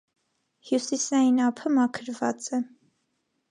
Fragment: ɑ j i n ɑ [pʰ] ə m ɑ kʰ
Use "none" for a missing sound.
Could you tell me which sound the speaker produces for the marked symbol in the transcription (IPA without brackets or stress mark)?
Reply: pʰ